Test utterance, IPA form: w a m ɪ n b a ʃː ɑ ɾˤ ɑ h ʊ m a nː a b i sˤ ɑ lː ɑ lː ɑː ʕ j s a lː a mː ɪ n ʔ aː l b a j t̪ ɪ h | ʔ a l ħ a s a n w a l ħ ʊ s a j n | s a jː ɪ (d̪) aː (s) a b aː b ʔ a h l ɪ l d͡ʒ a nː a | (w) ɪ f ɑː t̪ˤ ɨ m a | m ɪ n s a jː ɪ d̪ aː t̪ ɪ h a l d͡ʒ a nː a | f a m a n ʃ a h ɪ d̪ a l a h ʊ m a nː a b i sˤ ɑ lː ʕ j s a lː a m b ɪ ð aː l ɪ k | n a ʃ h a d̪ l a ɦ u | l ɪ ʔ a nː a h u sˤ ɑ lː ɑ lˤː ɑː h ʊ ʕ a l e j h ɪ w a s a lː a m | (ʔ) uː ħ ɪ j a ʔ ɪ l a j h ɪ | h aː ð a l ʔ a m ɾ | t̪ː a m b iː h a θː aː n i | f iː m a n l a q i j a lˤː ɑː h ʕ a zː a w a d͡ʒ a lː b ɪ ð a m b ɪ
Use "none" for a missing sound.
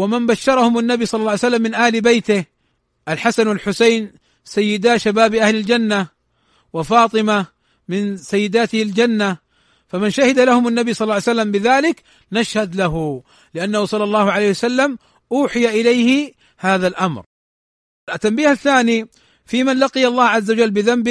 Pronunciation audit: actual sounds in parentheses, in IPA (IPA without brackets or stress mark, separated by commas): d̪, ʃ, w, ʔ